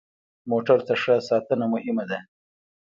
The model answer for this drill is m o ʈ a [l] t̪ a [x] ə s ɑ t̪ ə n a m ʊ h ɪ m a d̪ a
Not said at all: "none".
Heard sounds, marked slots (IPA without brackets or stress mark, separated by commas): ɾ, ʂ